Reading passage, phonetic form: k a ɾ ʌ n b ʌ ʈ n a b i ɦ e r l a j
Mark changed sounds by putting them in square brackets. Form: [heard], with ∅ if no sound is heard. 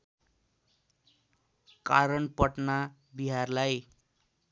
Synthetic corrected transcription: k a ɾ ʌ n [p] ʌ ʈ n a b i ɦ [a] r l a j